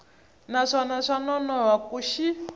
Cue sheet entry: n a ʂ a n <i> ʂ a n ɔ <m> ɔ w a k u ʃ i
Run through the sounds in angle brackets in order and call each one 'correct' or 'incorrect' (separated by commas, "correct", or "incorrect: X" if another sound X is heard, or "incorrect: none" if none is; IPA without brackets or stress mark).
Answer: incorrect: a, incorrect: n